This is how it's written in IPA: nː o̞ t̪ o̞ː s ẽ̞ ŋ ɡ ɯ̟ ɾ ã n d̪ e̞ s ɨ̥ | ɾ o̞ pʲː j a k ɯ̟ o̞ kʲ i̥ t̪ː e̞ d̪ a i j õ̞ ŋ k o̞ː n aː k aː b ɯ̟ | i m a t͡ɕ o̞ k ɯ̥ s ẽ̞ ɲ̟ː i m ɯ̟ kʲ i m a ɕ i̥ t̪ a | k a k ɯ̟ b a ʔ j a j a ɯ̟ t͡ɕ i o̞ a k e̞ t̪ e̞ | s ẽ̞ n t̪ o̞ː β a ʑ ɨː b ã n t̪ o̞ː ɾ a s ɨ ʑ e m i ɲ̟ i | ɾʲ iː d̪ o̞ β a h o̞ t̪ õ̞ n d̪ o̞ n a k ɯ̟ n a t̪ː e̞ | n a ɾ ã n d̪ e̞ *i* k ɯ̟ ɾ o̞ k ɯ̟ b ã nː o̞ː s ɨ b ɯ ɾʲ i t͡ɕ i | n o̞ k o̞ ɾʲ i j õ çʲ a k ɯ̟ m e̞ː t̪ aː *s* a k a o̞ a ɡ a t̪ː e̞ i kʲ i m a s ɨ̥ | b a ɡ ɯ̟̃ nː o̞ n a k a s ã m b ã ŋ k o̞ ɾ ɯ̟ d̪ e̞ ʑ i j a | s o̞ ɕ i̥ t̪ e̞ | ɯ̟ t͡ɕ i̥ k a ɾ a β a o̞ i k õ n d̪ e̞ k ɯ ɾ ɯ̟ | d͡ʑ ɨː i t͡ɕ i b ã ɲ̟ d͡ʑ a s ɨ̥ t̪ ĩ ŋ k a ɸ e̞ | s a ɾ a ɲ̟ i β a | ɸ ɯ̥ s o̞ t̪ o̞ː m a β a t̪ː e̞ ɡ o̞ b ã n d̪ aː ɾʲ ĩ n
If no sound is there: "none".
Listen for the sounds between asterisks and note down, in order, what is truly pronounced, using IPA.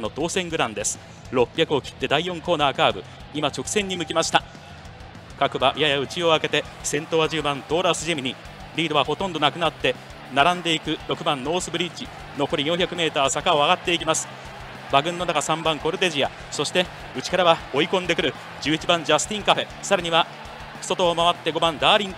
i, s

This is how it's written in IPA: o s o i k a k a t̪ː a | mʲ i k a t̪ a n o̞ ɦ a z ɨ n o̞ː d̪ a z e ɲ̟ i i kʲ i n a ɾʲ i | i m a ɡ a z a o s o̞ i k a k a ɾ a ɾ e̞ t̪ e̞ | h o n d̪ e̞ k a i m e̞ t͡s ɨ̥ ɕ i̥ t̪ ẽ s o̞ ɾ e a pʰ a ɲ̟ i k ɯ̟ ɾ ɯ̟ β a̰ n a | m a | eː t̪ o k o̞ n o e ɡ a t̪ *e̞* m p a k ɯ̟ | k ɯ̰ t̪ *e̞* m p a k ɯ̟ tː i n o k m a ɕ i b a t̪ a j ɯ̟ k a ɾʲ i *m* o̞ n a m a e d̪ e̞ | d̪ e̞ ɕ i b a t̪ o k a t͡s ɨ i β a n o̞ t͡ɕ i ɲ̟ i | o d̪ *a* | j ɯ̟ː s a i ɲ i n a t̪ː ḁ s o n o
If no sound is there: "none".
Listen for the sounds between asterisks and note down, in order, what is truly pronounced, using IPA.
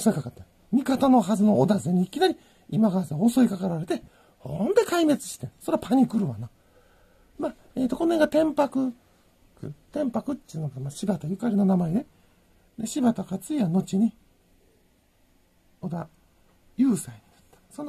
ẽ̞, ẽ̞, n, a

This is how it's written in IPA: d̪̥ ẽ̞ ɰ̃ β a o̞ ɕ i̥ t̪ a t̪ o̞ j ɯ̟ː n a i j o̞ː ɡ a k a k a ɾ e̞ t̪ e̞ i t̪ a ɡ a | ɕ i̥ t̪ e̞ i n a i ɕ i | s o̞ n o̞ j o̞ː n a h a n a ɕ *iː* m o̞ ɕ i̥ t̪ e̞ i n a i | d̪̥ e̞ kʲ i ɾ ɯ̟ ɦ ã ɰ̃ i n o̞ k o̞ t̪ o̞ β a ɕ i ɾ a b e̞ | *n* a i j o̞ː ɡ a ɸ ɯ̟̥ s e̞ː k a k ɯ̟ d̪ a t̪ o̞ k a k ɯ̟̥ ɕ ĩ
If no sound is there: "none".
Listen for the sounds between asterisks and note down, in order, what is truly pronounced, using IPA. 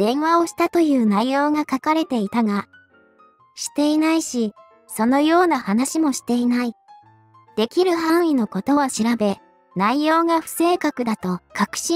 i, n

